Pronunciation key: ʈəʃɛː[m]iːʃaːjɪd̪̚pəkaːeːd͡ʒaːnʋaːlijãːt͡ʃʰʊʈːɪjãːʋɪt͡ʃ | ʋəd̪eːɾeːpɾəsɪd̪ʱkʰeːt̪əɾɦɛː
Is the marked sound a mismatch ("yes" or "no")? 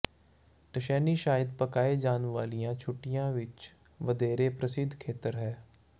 yes